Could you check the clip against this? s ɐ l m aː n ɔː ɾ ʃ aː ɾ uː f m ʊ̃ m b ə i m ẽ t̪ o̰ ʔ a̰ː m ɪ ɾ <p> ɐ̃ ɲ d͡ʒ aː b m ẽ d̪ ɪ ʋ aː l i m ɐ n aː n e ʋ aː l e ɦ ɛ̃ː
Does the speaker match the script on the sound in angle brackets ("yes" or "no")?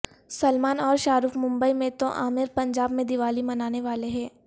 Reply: yes